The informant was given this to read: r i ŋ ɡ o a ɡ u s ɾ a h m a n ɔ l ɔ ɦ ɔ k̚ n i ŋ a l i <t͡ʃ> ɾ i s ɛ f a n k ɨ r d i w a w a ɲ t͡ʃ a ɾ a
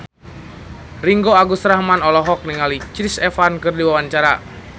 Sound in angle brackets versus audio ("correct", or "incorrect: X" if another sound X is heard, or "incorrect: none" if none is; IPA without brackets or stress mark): correct